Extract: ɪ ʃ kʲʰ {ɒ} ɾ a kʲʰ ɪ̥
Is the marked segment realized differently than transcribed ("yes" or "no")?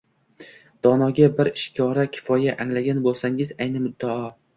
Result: no